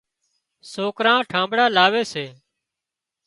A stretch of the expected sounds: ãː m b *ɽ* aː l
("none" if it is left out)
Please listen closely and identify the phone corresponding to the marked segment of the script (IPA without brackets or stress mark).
ɽ